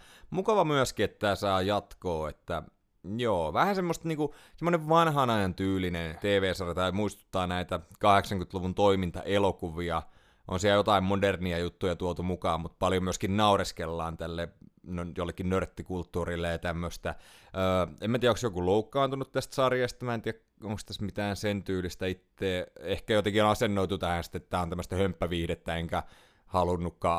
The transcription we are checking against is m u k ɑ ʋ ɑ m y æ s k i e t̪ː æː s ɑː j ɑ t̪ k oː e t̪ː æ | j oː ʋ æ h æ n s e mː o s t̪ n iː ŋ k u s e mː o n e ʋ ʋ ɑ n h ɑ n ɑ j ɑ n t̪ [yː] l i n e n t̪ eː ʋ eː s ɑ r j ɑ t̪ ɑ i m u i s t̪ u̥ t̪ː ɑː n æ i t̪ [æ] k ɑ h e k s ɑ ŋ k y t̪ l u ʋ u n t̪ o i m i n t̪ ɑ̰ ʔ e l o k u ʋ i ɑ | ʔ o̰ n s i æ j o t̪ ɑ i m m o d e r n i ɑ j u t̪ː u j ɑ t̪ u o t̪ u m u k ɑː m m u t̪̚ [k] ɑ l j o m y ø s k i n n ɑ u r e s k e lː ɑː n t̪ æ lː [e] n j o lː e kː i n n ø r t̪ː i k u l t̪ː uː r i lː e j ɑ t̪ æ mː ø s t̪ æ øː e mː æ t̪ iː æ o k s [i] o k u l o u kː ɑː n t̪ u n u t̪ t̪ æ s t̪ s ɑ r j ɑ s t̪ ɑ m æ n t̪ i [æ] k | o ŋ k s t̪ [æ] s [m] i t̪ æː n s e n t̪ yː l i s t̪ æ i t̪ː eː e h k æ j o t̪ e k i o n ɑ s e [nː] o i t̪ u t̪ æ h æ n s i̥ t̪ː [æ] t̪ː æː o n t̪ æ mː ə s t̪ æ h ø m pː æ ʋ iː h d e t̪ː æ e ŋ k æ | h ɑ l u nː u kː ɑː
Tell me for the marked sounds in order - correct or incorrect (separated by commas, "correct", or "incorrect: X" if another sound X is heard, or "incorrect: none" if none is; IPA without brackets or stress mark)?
correct, correct, incorrect: p, correct, incorrect: j, correct, correct, correct, correct, incorrect: e